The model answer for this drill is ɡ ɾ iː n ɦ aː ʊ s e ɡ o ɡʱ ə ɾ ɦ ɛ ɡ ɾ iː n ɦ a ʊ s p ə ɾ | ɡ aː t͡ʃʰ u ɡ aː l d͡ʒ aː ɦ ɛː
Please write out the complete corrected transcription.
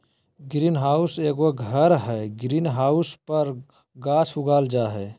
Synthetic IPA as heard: ɡ ɾ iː n ɦ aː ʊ s e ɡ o ɡʱ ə ɾ ɦ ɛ ɡ ɾ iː n ɦ a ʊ s p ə ɾ | ɡ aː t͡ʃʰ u ɡ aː l d͡ʒ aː ɦ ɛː